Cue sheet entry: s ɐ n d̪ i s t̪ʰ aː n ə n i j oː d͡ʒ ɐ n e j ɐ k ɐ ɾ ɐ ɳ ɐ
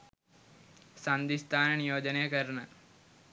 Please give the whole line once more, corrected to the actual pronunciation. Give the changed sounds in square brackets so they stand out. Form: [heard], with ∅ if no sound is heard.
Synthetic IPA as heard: s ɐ n d̪ i s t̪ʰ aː n [ɐ] n i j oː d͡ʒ ɐ n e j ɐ k ɐ ɾ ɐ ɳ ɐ